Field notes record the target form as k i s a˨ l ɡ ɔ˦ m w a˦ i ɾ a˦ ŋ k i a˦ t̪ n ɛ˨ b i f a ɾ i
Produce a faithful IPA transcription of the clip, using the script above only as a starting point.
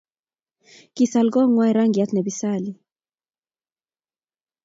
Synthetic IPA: k i s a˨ l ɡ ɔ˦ ŋ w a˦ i ɾ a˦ ŋ ɡ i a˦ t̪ n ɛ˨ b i s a l i

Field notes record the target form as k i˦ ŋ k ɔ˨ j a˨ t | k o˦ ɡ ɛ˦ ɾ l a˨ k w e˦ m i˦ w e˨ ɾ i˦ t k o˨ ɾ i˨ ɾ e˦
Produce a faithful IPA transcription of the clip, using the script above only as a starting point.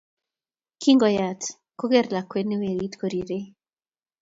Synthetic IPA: k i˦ ŋ ɡ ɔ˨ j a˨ t | k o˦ ɡ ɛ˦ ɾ l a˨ k w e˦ n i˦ w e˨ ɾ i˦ t k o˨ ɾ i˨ ɾ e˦

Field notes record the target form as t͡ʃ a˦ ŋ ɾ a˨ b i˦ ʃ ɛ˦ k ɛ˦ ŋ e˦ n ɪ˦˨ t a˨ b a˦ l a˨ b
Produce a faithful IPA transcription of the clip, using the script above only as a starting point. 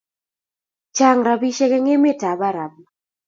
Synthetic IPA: t͡ʃ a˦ ŋ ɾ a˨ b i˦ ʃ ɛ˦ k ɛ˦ ŋ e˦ m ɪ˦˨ t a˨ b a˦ ɾ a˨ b

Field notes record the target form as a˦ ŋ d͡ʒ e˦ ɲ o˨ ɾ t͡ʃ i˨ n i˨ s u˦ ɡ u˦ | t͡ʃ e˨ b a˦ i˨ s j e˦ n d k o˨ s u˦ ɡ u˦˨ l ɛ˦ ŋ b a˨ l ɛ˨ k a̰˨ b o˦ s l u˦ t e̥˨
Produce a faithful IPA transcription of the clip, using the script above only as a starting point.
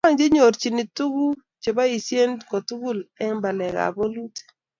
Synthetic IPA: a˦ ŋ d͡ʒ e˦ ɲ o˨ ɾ t͡ʃ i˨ n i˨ t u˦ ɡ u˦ | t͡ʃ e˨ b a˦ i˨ s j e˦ n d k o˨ t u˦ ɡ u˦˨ l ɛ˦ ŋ b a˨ l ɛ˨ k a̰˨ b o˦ l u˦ t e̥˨

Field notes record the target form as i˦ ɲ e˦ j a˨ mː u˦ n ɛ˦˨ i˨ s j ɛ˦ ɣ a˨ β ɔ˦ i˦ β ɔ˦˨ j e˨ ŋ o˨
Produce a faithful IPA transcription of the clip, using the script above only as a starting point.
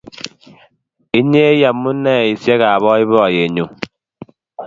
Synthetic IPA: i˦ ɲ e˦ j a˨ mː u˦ n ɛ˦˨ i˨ s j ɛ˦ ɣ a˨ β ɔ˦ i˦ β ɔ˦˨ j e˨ ɲ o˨

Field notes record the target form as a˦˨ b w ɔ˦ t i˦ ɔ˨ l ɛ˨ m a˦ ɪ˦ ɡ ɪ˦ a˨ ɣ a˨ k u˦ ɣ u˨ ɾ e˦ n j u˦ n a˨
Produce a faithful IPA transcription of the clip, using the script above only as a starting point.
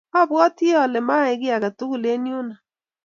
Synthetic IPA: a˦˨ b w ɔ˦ t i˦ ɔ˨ l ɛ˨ m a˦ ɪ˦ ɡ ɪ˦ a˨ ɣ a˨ t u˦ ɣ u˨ l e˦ n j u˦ n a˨

